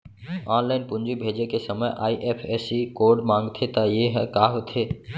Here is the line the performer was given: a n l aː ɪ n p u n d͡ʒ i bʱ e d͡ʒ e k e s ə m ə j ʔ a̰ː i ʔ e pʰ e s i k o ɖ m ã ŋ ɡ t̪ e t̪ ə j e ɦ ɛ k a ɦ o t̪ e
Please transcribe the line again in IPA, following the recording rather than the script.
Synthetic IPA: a n l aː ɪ n p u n d͡ʒ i bʱ e d͡ʒ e k e s ə m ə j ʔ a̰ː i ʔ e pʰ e s i k o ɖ m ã ŋ ɡ t̪ʰ e t̪ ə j e ɦ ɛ k a ɦ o t̪ʰ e